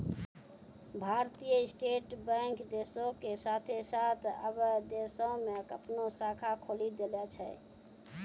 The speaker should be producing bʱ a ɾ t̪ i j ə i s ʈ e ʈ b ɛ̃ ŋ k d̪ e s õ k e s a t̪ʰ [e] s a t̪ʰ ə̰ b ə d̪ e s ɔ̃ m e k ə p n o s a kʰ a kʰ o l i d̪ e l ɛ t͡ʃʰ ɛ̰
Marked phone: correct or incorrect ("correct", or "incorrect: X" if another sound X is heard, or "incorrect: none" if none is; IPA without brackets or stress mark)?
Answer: correct